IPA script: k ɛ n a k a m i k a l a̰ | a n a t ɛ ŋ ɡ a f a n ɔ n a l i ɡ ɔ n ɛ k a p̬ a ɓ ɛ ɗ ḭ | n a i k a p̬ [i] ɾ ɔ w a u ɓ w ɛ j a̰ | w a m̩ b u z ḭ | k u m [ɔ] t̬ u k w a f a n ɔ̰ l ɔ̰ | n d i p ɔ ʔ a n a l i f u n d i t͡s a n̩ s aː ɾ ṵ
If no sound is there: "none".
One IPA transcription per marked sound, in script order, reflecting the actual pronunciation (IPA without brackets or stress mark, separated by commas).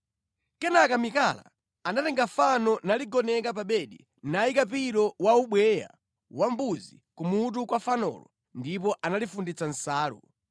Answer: i, u